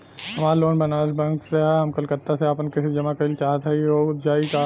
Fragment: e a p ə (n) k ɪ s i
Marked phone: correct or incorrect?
correct